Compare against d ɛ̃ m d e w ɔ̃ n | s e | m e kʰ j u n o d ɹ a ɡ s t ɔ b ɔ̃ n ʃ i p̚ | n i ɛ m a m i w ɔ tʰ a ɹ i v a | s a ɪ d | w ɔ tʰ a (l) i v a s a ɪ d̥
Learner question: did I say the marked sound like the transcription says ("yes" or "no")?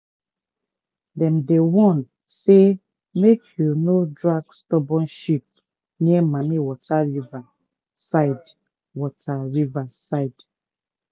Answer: no